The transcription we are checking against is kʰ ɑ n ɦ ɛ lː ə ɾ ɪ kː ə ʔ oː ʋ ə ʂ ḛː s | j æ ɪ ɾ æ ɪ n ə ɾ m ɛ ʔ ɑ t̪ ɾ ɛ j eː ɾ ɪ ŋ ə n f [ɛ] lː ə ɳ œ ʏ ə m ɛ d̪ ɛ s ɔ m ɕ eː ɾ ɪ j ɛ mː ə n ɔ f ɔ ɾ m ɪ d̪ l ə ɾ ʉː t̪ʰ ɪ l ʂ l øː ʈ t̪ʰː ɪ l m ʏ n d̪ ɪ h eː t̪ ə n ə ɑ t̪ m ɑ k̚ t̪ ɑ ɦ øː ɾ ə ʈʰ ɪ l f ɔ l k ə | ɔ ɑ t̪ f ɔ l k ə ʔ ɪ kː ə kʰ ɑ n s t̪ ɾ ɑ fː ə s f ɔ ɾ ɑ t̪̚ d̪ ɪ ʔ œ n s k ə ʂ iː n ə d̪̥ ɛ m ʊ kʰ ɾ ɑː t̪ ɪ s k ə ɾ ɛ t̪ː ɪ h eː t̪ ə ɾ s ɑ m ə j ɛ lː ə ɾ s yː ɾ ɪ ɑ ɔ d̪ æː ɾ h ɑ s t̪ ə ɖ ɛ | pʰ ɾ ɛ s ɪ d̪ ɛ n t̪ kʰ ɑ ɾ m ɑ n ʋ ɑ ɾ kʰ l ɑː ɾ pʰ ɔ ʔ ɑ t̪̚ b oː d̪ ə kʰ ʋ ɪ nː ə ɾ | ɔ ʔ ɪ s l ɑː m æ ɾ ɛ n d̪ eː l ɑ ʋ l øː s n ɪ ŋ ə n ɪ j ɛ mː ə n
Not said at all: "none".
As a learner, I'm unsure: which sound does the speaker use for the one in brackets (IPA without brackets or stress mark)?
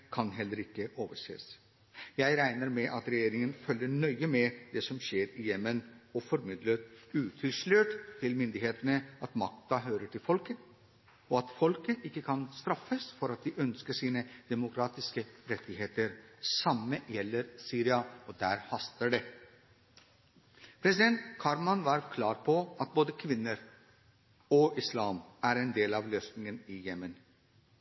œ